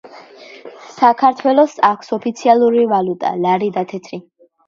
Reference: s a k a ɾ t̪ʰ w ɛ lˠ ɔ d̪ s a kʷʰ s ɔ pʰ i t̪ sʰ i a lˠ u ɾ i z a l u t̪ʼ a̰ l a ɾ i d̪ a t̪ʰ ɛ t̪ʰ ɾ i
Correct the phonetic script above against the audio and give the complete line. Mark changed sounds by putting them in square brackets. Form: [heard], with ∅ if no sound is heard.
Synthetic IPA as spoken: s a [kʰ] a ɾ t̪ʰ w ɛ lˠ ɔ [∅] s a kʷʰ s ɔ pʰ i t̪ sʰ i a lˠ u ɾ i [v] a l u t̪ʼ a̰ l a ɾ i d̪ a t̪ʰ ɛ t̪ʰ ɾ i